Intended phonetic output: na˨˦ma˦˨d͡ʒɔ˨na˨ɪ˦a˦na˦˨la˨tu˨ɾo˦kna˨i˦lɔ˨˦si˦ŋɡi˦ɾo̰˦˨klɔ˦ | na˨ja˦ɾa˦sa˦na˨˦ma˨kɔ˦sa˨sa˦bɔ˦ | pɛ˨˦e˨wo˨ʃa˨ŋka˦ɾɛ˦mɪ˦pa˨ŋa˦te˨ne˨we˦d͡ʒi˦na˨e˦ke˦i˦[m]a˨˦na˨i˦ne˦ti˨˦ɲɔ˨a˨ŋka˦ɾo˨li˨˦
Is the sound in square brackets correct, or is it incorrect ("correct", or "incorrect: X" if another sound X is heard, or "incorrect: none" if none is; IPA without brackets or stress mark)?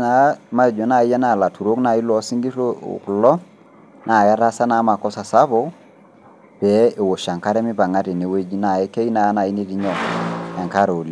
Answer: incorrect: n